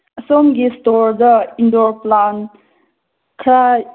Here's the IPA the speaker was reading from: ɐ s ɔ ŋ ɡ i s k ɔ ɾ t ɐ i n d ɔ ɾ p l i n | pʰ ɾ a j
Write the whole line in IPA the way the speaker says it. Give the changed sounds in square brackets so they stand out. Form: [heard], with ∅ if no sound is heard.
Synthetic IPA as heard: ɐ s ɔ [m] ɡ i s [t] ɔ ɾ [d] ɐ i n d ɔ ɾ p l [a] n | [kʰ] ɾ a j